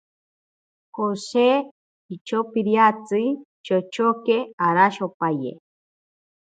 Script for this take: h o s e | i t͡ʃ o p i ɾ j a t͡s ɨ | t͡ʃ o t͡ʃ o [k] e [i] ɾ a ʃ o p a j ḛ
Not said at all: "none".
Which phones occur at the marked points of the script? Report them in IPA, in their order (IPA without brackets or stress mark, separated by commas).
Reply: k, a